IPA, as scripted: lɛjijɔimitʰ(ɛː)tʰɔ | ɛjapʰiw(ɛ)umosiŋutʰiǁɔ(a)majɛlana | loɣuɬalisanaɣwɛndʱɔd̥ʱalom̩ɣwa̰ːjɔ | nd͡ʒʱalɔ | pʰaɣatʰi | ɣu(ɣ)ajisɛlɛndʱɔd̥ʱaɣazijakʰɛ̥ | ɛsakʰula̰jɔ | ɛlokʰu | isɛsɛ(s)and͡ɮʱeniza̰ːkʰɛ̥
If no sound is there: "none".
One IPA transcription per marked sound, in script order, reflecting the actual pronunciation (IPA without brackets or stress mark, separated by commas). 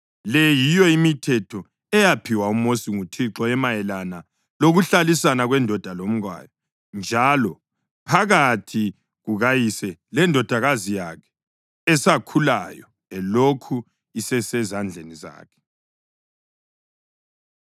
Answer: ɛ, a, ɛ, ɣ, z